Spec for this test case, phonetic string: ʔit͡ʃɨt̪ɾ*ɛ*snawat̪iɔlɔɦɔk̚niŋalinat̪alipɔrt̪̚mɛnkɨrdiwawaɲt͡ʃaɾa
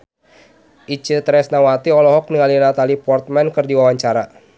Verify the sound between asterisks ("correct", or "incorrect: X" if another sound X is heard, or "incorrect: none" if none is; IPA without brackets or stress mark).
correct